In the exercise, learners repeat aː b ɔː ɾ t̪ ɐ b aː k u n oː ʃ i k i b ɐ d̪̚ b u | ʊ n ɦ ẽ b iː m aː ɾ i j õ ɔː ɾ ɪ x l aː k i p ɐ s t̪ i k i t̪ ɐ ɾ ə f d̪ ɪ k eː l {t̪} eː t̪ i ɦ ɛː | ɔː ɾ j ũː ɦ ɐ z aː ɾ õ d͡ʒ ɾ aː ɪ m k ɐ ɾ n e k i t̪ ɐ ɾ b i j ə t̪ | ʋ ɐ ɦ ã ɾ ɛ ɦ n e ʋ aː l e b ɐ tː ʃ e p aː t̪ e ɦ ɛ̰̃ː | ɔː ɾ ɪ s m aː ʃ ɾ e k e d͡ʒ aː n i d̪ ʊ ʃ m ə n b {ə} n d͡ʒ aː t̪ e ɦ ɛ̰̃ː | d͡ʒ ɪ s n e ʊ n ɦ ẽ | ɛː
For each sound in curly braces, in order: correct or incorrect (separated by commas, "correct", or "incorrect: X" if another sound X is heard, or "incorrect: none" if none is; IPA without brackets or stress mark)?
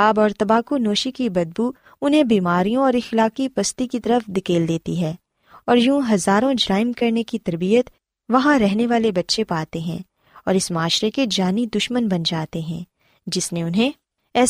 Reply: incorrect: d̪, incorrect: ɐ